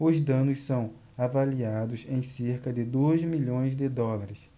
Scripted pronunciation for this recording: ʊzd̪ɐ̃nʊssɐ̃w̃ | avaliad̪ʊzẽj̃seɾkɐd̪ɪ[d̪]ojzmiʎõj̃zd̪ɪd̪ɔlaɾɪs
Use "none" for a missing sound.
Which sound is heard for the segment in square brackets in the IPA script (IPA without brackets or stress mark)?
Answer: d̪